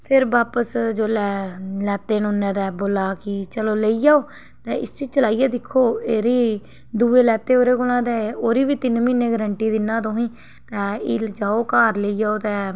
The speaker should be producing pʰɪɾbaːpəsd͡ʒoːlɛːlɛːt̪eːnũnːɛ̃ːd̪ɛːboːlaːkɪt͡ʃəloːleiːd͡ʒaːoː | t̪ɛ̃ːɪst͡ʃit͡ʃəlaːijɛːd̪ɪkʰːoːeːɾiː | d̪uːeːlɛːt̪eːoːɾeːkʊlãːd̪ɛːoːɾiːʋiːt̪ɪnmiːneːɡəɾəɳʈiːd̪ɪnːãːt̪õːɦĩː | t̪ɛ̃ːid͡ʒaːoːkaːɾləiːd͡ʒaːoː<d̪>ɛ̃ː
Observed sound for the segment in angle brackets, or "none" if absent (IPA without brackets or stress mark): t̪